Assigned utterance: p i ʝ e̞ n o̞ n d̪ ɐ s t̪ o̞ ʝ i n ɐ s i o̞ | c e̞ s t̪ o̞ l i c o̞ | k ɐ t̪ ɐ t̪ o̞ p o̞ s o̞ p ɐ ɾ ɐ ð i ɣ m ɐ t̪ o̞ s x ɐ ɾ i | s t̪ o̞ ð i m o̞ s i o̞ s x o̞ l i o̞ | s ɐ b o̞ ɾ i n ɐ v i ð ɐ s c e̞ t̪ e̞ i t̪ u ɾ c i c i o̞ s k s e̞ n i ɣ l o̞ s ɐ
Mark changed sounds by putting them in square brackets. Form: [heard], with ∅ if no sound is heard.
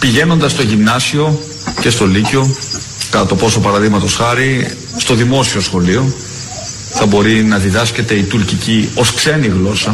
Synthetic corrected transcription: p i ʝ e̞ n o̞ n d̪ ɐ s t̪ o̞ ʝ i n ɐ s i o̞ | c e̞ s t̪ o̞ l i c o̞ | k ɐ t̪ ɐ t̪ o̞ p o̞ s o̞ p ɐ ɾ ɐ ð i ɣ m ɐ t̪ o̞ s x ɐ ɾ i | s t̪ o̞ ð i m o̞ s i o̞ s x o̞ l i o̞ | [θ] ɐ b o̞ ɾ i n ɐ [ð] i ð ɐ s c e̞ t̪ e̞ i t̪ u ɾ c i c i o̞ s k s e̞ n i ɣ l o̞ s ɐ